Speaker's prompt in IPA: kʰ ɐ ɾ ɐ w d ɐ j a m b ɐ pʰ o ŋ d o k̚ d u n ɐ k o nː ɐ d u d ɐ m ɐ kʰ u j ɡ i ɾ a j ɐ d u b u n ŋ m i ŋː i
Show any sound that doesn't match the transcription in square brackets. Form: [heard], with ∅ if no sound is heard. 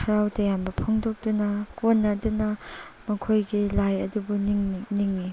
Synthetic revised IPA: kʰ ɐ ɾ [a] w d ɐ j a m b ɐ pʰ o ŋ d o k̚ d u n ɐ k o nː ɐ d u [n] ɐ m ɐ kʰ [o] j ɡ i [l] a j ɐ d u b u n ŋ [n] i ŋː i